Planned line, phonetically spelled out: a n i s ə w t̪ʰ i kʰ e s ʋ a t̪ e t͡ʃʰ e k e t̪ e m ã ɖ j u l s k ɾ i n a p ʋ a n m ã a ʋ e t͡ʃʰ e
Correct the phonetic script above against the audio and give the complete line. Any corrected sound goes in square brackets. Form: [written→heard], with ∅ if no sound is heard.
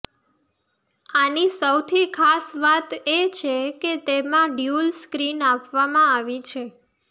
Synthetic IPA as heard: a n i s ə w t̪ʰ i kʰ [e→a] s ʋ a t̪ e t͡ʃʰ e k e t̪ e m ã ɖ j u l s k ɾ i n a p ʋ a [n→∅] m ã a ʋ [e→i] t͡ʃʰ e